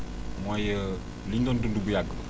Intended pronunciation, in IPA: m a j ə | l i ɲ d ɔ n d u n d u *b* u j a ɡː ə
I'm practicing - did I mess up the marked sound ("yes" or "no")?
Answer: no